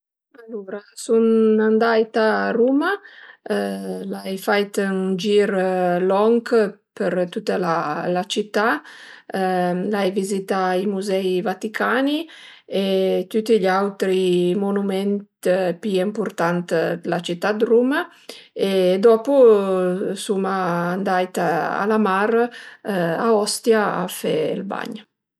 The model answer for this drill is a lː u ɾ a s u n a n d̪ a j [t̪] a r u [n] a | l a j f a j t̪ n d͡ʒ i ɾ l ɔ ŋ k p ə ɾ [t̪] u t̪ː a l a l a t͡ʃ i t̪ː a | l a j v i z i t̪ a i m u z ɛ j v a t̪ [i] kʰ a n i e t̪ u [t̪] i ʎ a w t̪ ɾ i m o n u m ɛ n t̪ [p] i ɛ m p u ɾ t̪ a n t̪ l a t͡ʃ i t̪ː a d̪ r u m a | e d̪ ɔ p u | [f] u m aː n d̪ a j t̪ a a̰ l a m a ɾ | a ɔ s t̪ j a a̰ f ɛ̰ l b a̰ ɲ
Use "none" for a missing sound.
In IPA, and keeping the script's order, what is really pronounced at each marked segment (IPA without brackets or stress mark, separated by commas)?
t̪, m, t̪, i, t̪, p, s